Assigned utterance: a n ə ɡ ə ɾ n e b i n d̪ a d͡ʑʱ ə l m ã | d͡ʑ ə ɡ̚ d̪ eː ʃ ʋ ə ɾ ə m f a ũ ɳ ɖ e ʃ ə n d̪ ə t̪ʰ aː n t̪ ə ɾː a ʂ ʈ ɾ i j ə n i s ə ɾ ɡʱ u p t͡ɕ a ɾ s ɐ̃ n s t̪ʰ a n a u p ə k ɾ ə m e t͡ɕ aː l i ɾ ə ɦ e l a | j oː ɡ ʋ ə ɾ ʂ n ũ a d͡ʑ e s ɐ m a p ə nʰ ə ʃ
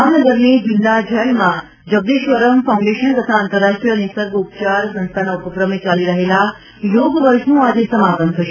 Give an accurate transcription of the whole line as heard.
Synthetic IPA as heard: a n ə ɡ ə ɾ n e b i n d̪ a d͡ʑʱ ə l m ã | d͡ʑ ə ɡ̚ d̪ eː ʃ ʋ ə ɾ ə m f a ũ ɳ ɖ e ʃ ə n t̪ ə t̪ʰ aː n t̪ ə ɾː a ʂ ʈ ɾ i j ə n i s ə ɾ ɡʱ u p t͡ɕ a ɾ s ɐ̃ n s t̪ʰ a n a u p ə k ɾ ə m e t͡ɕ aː l i ɾ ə ɦ e l a | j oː ɡ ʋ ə ɾ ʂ n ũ a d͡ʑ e s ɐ m a p ə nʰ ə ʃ